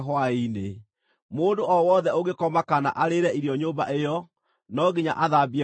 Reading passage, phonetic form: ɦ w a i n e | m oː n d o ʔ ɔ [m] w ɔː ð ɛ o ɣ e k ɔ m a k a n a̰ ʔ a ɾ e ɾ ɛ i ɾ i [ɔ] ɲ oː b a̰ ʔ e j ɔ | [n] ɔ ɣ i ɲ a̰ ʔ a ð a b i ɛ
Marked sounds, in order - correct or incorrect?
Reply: incorrect: none, correct, correct

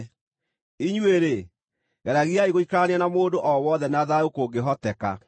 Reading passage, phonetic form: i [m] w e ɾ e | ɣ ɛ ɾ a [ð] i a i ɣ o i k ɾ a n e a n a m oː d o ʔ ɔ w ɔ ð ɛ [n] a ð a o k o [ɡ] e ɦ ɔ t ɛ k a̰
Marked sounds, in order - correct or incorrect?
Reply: incorrect: ɲ, incorrect: ɣ, correct, correct

